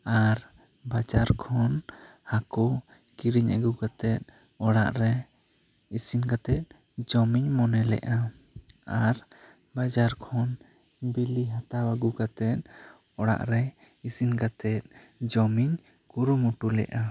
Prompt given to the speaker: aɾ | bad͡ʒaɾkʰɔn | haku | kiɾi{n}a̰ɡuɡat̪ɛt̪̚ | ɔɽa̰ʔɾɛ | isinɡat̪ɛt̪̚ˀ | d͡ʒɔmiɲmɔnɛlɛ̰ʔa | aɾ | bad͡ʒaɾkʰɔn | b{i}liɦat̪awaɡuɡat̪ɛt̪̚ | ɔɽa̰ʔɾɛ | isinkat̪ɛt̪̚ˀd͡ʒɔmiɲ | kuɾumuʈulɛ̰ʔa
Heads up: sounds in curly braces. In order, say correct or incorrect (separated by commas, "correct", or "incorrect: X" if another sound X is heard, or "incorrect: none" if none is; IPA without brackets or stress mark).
incorrect: ɲ, correct